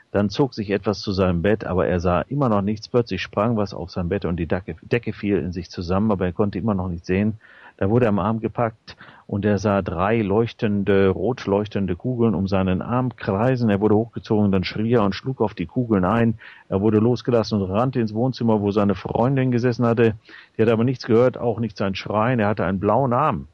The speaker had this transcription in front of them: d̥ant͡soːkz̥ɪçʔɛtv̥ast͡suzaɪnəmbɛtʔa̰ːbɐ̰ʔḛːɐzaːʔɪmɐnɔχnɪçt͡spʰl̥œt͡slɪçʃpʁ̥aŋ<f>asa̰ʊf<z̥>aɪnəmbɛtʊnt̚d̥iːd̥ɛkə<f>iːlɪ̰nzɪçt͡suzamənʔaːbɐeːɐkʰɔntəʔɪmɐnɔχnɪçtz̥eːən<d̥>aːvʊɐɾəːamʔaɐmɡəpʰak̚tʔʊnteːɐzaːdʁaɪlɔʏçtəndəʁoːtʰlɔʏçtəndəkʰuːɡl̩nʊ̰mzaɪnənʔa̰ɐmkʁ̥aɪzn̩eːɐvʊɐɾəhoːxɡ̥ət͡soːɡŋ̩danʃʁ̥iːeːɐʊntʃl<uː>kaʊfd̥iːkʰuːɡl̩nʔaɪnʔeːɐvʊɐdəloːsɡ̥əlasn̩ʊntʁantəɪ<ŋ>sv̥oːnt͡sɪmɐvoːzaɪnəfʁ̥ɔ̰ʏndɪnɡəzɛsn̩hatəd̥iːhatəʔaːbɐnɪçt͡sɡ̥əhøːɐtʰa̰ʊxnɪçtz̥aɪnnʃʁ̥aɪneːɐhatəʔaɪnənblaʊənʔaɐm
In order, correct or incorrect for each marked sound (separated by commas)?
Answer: incorrect, correct, correct, correct, correct, incorrect